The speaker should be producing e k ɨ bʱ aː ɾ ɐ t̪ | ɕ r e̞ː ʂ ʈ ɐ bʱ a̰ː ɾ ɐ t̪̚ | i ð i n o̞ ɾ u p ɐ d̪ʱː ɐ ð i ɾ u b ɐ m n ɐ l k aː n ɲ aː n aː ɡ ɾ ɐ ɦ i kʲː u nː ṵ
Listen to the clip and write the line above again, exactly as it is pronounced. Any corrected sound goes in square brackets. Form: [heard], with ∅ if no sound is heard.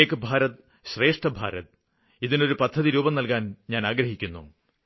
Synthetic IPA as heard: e k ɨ bʱ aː ɾ ɐ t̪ | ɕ r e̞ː ʂ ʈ ɐ bʱ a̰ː ɾ ɐ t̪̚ | i ð i n o̞ ɾ u p ɐ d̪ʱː ɐ ð i ɾ [uː] b ɐ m n ɐ l k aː n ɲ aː n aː ɡ ɾ ɐ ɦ i kʲː u nː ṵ